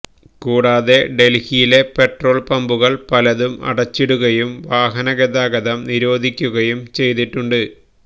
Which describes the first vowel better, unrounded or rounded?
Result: rounded